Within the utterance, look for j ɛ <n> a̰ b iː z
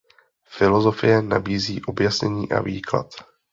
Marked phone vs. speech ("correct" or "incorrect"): correct